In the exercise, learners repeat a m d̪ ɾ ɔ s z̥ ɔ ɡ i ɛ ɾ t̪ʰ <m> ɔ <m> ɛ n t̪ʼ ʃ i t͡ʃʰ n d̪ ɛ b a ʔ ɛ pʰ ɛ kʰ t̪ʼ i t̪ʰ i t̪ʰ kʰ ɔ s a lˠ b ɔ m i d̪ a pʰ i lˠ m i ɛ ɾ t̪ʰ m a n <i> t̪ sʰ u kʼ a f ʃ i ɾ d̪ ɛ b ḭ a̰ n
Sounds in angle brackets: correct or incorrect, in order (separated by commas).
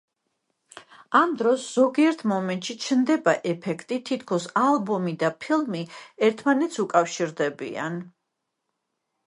correct, correct, incorrect